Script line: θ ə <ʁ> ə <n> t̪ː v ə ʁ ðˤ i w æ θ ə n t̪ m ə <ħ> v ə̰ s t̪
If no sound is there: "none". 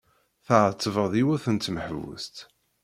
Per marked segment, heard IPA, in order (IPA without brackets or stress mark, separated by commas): ʕ, none, ħ